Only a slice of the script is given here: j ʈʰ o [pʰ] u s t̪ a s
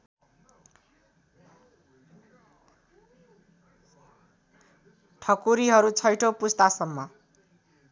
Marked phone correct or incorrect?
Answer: incorrect: p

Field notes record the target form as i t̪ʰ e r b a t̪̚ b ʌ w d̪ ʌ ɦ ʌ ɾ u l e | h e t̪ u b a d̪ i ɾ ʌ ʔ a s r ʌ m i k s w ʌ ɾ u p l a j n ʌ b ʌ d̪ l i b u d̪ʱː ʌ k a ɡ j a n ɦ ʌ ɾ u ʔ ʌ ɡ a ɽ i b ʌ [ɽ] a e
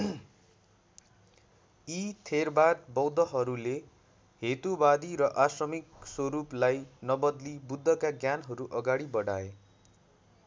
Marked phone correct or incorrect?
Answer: correct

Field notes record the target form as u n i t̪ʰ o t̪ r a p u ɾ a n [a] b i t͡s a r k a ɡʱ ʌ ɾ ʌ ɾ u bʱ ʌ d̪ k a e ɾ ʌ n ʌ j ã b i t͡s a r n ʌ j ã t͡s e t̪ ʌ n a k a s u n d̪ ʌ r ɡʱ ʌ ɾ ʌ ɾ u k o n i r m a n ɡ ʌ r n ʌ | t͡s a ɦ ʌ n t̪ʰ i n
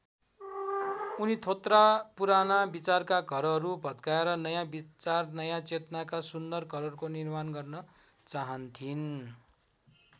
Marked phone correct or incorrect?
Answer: correct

